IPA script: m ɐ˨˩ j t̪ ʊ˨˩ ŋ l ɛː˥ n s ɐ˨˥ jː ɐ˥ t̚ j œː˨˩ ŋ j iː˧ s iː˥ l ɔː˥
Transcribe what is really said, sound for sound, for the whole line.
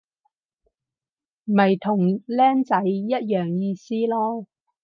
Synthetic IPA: m ɐ˨˩ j t̪ʰ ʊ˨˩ ŋ l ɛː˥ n t͡s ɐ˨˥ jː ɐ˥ t̚ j œː˨˩ ŋ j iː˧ s iː˥ l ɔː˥